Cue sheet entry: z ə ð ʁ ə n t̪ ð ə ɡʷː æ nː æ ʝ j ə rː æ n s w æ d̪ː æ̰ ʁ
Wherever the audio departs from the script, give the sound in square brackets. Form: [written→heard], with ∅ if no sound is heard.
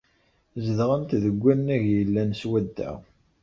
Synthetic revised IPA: z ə ð ʁ ə n t̪ ð ə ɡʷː æ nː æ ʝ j ə [rː→lː] æ n s w æ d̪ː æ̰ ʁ